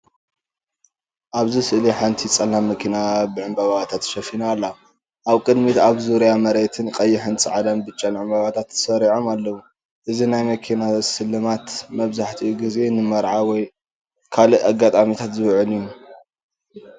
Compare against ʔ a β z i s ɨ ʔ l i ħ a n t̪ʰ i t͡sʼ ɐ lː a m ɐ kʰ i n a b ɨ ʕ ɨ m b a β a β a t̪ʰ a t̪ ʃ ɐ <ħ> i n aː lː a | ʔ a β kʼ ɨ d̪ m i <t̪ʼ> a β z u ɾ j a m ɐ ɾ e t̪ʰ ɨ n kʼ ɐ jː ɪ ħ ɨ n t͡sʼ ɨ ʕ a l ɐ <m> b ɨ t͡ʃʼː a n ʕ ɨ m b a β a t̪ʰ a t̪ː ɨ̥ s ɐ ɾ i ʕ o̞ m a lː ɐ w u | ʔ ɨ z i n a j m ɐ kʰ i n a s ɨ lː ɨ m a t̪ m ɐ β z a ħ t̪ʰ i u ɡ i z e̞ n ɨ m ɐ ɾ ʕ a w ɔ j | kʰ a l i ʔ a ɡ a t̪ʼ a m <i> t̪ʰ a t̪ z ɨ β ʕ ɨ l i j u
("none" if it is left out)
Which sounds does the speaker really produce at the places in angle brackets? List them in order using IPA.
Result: f, t̪, m, i

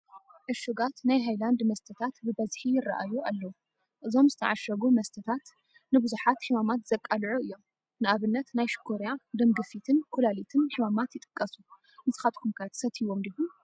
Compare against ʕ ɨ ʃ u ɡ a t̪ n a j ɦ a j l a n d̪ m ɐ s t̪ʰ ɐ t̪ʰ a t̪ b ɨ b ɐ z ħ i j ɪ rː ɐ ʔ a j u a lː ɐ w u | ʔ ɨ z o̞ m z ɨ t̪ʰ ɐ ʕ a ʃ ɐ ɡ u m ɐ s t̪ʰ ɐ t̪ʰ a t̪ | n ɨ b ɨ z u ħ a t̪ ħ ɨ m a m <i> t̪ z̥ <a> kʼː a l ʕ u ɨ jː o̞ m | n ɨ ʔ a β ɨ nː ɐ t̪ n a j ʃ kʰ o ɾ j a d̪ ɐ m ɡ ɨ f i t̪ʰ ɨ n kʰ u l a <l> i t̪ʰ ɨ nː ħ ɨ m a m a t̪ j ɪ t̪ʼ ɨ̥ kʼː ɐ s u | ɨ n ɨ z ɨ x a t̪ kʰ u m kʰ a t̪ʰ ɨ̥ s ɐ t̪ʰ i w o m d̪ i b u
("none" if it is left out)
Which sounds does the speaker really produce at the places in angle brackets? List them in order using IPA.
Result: a, ɐ, l

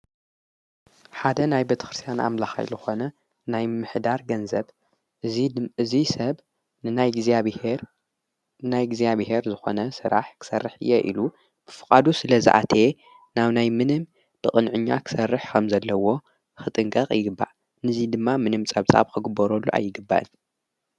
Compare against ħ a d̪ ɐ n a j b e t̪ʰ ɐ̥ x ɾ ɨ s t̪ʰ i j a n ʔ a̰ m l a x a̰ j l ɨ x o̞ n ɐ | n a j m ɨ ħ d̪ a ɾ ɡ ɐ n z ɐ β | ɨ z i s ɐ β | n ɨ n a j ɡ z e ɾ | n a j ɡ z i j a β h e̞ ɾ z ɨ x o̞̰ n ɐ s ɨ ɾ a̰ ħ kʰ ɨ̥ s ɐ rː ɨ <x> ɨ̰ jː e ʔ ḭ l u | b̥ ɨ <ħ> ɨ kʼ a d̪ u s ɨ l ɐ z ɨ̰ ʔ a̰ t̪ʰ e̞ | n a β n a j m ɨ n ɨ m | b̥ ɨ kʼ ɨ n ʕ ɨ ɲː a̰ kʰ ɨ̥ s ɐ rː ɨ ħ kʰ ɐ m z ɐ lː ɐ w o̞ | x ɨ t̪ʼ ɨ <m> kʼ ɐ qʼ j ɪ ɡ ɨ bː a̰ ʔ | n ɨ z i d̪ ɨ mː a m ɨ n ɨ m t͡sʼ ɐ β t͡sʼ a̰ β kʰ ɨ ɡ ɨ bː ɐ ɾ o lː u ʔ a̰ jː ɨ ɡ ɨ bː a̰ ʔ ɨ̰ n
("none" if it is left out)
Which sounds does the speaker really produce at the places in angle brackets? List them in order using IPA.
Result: ħ, f, ŋ

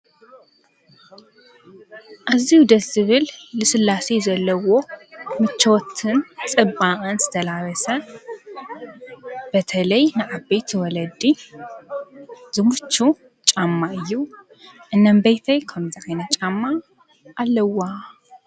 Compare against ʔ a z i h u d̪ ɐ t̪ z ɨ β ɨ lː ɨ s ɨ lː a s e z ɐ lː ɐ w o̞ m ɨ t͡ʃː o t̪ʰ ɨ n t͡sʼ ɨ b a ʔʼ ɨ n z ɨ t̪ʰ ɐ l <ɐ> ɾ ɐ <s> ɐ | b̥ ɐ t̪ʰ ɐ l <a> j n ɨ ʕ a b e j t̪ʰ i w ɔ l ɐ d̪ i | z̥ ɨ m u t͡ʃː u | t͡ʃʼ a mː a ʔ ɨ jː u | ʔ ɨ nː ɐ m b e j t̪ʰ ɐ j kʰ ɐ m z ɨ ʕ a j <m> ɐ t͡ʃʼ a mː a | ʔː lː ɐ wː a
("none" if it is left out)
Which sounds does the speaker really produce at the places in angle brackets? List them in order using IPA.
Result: a, s, ɐ, n

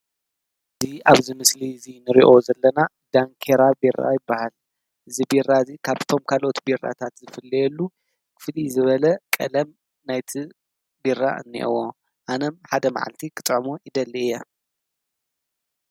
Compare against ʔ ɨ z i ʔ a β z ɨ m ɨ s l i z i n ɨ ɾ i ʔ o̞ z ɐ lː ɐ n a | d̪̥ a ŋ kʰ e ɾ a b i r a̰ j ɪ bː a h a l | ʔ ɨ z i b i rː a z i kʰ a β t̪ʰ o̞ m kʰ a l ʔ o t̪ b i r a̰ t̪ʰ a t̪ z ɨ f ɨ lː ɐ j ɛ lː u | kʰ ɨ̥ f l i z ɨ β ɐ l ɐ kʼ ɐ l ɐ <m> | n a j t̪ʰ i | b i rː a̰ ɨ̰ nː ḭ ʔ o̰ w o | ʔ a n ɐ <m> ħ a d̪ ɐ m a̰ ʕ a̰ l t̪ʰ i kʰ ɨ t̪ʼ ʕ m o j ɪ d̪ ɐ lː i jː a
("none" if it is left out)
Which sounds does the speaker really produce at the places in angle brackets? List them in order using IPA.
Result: m, m

